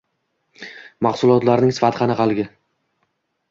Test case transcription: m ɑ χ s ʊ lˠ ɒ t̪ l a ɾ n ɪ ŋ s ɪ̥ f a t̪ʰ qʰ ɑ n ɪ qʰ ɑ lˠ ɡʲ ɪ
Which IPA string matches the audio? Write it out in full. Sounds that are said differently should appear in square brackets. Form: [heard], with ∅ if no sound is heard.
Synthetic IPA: m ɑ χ s ʊ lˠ ɒ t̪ l a ɾ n ɪ ŋ s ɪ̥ f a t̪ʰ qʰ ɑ n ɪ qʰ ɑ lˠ ɡʲ ɪ